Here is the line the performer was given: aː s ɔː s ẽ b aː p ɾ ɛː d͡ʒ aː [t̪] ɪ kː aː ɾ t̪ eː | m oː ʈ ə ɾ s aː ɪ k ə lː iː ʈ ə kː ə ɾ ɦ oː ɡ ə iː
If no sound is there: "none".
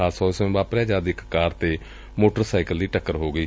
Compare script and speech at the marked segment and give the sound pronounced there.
d̪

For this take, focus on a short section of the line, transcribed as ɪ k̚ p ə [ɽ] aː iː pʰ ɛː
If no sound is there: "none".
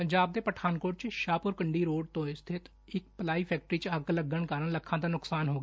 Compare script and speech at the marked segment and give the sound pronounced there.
l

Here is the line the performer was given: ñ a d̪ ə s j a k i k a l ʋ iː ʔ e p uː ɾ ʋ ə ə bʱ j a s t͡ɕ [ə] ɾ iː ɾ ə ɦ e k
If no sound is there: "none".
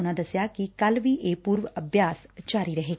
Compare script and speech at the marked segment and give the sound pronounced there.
a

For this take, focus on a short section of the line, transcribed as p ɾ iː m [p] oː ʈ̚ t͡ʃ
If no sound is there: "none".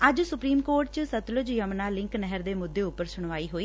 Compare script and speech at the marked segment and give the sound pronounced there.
k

